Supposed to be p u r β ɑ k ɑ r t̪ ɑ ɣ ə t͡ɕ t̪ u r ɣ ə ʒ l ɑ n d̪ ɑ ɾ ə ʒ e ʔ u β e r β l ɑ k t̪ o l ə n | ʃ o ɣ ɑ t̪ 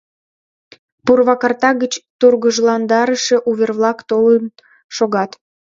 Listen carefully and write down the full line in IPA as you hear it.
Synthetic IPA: p u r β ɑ k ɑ r t̪ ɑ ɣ ə t͡ɕ t̪ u r ɣ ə ʒ l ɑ n d̪ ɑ ɾ ə ʃ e ʔ u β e r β l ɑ k t̪ o l ə n | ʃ o ɣ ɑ t̪